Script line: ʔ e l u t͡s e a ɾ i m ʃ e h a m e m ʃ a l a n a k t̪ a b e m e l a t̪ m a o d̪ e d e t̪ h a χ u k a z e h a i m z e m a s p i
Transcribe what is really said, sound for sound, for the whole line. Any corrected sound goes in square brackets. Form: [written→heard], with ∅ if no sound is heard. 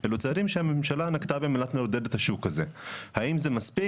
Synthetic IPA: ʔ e l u t͡s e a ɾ i m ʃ e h a m e m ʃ a l a n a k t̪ a b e m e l a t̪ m [a→e] o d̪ e d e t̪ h a [χ→ʃ] u k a z e h a i m z e m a s p i

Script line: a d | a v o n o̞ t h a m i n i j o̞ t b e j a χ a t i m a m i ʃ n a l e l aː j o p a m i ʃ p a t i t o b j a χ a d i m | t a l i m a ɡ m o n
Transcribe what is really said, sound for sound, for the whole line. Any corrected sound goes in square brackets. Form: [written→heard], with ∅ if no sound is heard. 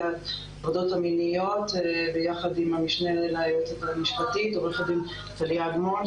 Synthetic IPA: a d | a v o [n→d] o̞ t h a m i n i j o̞ t b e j a χ a [t→d] i m a m i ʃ n [a→e] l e l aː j o [p→t] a m i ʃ p a t i t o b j a χ a d i m | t a l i [m→∅] a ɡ m o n

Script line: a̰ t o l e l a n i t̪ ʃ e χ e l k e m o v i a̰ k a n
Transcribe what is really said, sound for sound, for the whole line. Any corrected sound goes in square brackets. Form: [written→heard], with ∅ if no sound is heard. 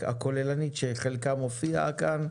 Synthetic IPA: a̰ [t→k] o l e l a n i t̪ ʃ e χ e l k [e→a] m o [v→f] i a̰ k a n

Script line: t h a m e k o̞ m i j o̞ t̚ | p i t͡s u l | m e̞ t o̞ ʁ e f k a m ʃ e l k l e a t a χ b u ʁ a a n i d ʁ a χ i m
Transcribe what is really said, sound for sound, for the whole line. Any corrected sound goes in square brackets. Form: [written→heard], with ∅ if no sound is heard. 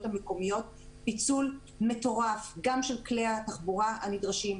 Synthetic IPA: t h a m e k o̞ m i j o̞ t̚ | p i t͡s u l | m e̞ t o̞ ʁ [e→a] f [k→ɡ] a m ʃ e l k l e a t a χ b u ʁ a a n i d ʁ a [χ→ʃ] i m

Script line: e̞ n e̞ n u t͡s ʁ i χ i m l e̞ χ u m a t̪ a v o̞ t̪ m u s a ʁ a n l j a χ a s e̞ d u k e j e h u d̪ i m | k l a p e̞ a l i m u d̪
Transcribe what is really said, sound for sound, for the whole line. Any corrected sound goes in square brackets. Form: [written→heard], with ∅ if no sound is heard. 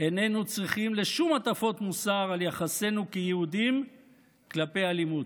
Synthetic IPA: e̞ n e̞ n u t͡s ʁ i χ i m l e̞ [χ→ʃ] u m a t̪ a [v→f] o̞ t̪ m u s a ʁ a [n→∅] l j a χ a s e̞ [d→n] u k e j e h u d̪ i m | k l a p e̞ a l i m u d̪

